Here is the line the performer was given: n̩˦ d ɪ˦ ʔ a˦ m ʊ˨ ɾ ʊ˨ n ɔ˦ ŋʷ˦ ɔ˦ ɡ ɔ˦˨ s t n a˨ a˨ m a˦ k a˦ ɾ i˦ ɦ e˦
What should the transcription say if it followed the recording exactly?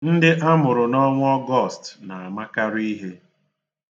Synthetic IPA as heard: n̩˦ d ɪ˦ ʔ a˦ m ʊ˨ ɾ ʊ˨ n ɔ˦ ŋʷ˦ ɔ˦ ɡ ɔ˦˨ s t n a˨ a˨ m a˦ k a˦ ɾ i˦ ɦ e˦